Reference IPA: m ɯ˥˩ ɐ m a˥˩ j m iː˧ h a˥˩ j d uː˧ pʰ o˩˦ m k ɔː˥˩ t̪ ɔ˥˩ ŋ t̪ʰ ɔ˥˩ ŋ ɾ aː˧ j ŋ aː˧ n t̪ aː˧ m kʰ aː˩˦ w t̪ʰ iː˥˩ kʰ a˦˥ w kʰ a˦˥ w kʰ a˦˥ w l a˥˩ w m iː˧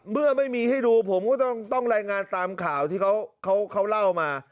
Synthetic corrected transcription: m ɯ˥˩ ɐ m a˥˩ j m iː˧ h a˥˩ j d uː˧ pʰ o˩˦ m k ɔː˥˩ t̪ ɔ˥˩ ŋ t̪ ɔ˥˩ ŋ ɾ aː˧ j ŋ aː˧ n t̪ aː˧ m kʰ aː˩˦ w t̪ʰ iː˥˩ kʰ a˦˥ w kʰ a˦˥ w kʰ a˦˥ w l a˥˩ w m aː˧

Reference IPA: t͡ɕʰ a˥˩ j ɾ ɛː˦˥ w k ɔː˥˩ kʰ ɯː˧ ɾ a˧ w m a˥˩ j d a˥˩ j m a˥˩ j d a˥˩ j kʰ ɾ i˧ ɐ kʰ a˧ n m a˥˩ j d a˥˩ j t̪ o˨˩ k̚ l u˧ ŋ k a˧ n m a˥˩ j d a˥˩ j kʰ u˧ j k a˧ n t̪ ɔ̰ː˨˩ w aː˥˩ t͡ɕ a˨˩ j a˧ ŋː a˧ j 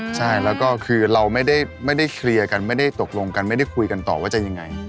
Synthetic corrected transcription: t͡ɕʰ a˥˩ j l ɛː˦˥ w k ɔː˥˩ kʰ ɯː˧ ɾ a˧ w m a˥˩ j d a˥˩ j m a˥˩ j d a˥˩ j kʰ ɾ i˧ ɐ k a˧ n m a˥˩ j d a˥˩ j t̪ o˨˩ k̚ l o˧ ŋ k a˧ n m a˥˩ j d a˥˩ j kʰ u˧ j k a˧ n t̪ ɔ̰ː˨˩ w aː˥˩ t͡ɕ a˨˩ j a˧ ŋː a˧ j

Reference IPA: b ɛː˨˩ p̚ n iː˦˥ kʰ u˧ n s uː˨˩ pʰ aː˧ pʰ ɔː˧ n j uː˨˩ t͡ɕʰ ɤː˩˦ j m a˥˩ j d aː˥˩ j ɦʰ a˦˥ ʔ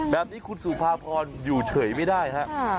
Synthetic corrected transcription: b ɛː˨˩ p̚ n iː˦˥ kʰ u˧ n s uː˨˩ pʰ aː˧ pʰ ɔː˧ n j uː˨˩ t͡ɕʰ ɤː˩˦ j m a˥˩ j d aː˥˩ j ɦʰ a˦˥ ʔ

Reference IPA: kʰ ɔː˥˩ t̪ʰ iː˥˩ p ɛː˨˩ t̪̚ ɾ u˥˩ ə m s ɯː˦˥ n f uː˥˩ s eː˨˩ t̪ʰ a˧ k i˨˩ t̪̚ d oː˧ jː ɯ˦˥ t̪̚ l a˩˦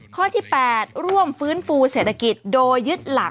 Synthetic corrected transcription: kʰ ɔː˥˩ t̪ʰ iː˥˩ p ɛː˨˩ t̪̚ ɾ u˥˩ ə m f ɯː˦˥ n f uː˧ s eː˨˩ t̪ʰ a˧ k i˨˩ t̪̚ d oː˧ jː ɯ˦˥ t̪̚ l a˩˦

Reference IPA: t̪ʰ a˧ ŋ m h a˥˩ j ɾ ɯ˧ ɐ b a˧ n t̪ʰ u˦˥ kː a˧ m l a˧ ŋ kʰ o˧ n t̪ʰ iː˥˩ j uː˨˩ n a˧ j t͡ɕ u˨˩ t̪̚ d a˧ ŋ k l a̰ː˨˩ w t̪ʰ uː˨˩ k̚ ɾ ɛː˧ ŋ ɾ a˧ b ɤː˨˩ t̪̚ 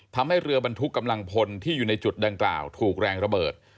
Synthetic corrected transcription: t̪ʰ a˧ m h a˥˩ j ɾ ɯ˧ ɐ b a˧ n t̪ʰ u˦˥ kː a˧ m l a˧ ŋ pʰ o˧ n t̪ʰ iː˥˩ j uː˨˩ n a˧ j t͡ɕ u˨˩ t̪̚ d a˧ ŋ k l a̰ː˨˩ w t̪ʰ uː˨˩ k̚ ɾ ɛː˧ ŋ ɾ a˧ b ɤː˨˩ t̪̚

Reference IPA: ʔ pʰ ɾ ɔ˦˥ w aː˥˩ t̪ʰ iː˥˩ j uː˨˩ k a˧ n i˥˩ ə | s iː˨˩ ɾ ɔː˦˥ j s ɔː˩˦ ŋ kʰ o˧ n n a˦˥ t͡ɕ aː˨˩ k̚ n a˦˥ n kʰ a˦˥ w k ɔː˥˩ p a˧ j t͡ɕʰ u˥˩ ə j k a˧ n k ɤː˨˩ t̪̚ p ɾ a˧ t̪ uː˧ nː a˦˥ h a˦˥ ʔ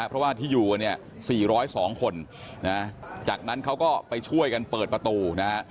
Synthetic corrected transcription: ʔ pʰ ɾ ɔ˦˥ w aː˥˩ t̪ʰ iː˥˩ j uː˨˩ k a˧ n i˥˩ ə | s iː˨˩ ɾ ɔː˦˥ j s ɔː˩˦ ŋ kʰ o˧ n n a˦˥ t͡ɕ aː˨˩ k̚ n a˦˥ n kʰ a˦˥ w k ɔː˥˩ p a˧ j t͡ɕʰ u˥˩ ə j k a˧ n p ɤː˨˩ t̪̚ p ɾ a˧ t̪ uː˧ n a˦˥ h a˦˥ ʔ

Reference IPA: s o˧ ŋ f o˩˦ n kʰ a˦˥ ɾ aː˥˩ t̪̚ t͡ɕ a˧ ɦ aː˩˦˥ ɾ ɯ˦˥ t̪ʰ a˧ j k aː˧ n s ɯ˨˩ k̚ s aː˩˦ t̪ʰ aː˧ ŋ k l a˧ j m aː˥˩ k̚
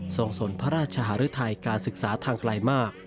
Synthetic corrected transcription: s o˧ ŋ s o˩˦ n pʰ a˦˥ ɾ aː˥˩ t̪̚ t͡ɕʰ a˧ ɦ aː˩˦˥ ɾ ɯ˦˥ t̪ʰ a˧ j k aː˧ n s ɯ˨˩ k̚ s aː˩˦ t̪ʰ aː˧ ŋ k l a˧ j m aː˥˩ k̚

